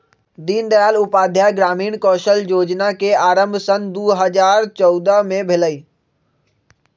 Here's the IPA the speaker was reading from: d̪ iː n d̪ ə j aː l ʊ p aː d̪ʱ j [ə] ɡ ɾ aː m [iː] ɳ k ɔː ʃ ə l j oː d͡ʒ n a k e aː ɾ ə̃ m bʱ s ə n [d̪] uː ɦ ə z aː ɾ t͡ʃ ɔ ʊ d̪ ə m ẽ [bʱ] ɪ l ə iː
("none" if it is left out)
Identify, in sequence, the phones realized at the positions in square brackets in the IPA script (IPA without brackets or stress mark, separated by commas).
a, iː, d̪, bʱ